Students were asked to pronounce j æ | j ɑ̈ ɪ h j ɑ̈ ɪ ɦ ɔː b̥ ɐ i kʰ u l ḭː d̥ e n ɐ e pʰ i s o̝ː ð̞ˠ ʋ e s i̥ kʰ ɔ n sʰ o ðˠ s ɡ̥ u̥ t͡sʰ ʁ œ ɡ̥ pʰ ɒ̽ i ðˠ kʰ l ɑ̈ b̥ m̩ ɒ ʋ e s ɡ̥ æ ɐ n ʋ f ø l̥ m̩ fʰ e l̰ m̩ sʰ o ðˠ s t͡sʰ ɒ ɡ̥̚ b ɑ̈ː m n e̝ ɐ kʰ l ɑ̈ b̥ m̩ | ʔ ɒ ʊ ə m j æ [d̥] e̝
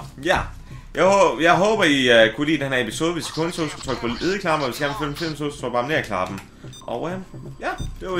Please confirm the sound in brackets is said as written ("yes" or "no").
yes